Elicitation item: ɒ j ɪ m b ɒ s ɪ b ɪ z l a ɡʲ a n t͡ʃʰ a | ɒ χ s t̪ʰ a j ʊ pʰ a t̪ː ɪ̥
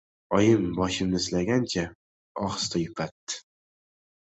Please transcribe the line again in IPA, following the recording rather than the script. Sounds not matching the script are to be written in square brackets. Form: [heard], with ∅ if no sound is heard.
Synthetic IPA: ɒ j ɪ m b ɒ [ʃ] ɪ [m] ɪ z l a ɡʲ a n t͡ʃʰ a | ɒ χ s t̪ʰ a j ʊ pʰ a t̪ː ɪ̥